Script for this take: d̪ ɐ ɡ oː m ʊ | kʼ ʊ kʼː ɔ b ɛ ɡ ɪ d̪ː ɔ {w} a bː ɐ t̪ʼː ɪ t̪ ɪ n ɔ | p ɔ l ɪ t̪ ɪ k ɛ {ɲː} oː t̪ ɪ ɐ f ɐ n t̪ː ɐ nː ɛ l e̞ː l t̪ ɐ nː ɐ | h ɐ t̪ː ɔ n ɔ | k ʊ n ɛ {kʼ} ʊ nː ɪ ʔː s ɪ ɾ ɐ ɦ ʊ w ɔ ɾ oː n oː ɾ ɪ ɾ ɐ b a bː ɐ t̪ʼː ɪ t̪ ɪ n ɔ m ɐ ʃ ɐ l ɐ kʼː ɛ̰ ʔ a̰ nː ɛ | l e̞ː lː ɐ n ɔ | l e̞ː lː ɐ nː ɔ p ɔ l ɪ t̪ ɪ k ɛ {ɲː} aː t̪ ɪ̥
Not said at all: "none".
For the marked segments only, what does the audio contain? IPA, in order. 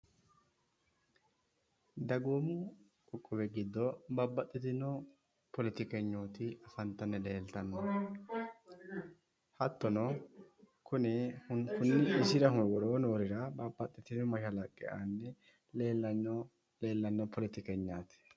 b, ɲː, k, ɲː

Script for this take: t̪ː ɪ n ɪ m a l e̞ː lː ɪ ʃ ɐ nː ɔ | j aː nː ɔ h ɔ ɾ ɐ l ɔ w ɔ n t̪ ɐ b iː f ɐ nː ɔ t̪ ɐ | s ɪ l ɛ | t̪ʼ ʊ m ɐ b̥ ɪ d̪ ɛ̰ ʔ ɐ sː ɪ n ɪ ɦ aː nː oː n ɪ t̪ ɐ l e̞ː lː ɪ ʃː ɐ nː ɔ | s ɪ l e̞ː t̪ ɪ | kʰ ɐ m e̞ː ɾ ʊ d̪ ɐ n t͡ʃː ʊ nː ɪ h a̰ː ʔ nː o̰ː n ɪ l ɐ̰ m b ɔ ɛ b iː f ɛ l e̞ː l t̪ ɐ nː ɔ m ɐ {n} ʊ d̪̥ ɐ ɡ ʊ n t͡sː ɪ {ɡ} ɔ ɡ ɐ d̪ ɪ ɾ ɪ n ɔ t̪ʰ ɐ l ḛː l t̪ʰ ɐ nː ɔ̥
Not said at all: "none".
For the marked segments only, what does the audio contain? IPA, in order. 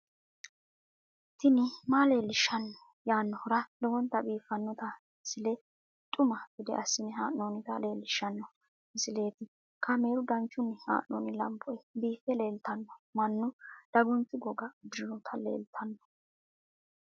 nː, ɡ

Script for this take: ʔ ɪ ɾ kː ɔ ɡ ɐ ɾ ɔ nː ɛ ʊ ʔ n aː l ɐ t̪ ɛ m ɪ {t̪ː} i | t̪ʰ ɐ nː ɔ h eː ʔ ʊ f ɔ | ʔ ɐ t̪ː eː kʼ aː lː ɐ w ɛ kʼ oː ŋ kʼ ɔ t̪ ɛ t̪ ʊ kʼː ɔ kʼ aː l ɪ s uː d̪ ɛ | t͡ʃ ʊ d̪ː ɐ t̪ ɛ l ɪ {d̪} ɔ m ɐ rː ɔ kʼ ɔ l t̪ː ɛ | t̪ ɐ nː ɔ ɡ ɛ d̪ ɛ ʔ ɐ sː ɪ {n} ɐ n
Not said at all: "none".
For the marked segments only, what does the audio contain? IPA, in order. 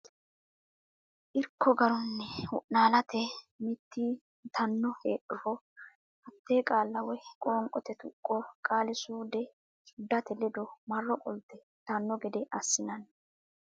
t̪ː, d̪, n

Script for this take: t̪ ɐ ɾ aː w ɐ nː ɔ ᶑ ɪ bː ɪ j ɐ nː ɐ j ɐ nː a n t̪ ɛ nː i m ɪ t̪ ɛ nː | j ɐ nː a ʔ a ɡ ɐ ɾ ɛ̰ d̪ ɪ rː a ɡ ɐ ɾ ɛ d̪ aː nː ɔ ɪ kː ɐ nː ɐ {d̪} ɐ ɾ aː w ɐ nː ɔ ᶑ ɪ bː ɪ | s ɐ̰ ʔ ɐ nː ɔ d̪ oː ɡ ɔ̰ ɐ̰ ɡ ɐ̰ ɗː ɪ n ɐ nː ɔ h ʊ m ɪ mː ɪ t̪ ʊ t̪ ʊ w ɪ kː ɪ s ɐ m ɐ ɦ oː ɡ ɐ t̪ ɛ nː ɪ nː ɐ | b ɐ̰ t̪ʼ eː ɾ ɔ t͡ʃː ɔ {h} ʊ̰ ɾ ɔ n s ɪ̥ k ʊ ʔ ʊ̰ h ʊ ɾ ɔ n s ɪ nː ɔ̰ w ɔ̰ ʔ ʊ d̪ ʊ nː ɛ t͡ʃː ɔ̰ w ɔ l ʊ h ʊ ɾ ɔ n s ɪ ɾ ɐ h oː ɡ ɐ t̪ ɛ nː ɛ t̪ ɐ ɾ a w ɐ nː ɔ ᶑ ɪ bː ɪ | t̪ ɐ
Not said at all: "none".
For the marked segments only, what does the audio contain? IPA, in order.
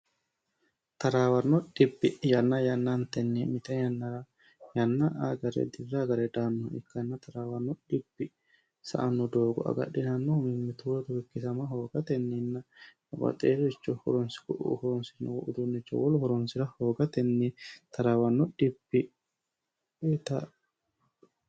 t̪, h

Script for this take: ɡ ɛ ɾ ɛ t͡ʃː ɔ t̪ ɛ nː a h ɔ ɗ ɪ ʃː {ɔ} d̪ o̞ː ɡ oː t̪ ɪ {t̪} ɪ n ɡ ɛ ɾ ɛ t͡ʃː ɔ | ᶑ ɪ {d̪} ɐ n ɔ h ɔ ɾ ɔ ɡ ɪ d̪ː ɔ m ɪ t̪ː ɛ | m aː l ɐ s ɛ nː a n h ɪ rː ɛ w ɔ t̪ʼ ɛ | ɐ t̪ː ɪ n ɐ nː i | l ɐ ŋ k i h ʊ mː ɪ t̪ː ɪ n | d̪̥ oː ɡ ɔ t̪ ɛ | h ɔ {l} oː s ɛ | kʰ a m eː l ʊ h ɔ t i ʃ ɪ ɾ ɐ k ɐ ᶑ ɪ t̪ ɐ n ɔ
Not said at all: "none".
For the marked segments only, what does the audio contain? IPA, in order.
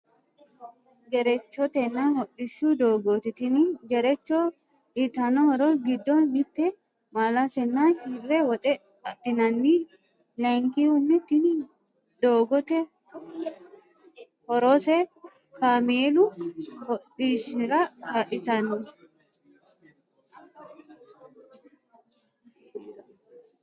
u, t̪, t̪, ɾ

